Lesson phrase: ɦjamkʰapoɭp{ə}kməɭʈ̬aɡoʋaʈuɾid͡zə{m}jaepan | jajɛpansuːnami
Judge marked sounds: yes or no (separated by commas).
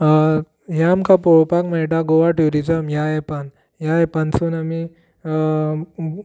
no, yes